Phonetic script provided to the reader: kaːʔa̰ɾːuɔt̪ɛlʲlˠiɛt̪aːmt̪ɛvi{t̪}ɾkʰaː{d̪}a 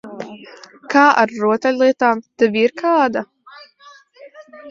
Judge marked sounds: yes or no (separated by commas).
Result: no, yes